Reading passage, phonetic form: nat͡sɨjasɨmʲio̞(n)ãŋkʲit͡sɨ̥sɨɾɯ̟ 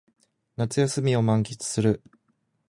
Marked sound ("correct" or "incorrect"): incorrect